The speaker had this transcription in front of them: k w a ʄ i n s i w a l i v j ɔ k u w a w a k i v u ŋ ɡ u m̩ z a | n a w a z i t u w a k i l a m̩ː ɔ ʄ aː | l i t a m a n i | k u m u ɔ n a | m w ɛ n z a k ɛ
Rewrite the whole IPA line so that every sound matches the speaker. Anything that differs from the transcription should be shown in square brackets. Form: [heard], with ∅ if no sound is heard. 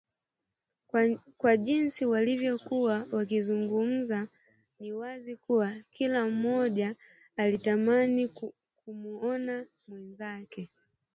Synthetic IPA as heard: k w a ʄ i n s i w a l i v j ɔ k u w a w a k i [z] u ŋ ɡ u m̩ z a | n [i] w a z i [k] u w a k i l a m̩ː ɔ ʄ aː | l i t a m a n i | k u m u ɔ n a | m w ɛ n z a k ɛ